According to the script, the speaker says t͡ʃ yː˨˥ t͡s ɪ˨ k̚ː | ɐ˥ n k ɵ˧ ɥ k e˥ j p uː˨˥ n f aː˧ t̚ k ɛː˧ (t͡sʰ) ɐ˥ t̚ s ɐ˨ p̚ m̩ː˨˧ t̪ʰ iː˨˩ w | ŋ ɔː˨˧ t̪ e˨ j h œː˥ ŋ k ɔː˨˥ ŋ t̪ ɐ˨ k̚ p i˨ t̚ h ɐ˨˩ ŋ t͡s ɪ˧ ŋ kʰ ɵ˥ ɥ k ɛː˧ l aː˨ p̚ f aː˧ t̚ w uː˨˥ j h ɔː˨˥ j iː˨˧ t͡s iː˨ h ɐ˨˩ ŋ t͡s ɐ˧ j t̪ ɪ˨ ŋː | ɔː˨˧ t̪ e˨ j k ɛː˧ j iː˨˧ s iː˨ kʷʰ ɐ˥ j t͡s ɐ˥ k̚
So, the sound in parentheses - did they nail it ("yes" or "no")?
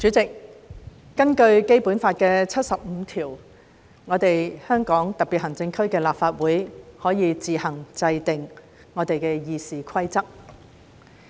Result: yes